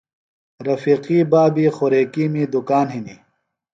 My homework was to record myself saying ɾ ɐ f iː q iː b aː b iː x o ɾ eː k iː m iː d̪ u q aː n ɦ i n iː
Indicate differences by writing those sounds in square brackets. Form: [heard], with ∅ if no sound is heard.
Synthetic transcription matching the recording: ɾ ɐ f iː q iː b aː b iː x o ɾ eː k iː m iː d̪ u [k] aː n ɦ i n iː